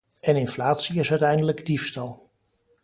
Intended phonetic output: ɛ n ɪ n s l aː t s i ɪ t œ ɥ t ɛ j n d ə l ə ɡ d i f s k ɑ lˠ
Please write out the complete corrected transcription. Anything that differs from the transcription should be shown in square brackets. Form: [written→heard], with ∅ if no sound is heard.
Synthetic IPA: ɛ n ɪ n [s→f] l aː t s i ɪ [t→s] œ ɥ t ɛ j n d ə l ə ɡ d i f s [k→t] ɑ lˠ